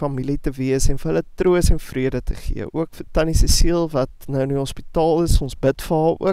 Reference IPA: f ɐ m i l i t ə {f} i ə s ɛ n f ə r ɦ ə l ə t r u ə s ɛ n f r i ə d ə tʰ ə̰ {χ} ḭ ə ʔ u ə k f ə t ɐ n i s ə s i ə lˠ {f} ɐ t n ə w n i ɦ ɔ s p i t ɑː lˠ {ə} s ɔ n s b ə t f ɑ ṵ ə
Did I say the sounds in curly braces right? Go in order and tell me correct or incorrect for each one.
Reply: incorrect: v, correct, incorrect: v, correct

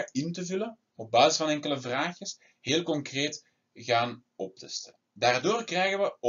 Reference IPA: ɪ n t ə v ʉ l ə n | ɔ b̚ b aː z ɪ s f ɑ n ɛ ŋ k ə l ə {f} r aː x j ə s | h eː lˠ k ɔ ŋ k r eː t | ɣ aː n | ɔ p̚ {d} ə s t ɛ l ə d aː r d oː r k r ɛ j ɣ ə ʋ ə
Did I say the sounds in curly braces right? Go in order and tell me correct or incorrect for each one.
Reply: incorrect: v, incorrect: t

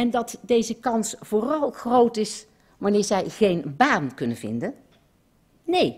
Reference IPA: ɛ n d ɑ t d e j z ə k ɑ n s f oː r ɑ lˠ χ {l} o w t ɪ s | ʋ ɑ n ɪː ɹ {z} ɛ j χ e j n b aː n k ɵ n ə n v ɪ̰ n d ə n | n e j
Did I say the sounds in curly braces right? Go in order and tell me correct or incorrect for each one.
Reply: incorrect: r, correct

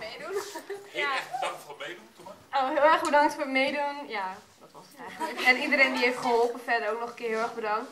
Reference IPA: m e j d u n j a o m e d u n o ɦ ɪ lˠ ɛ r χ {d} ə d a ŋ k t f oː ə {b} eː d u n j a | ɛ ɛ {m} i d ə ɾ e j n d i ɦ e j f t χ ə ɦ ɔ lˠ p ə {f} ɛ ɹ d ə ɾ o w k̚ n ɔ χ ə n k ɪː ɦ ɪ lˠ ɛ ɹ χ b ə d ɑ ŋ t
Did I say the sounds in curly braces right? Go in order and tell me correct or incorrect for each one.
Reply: incorrect: b, incorrect: m, incorrect: n, correct

